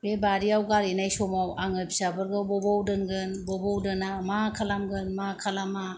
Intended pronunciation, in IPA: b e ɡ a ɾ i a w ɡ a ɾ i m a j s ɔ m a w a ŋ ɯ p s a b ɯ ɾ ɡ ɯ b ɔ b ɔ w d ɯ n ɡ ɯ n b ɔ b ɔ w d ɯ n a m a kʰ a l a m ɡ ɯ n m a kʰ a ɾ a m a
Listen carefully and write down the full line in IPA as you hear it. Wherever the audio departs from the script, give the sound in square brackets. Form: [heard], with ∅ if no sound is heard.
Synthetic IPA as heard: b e [b] a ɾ i a w ɡ a ɾ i [n] a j s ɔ m a w a ŋ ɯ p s a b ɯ ɾ ɡ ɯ b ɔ b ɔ w d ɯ n ɡ ɯ n b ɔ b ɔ w d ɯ n a m a kʰ a l a m ɡ ɯ n m a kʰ a [l] a m a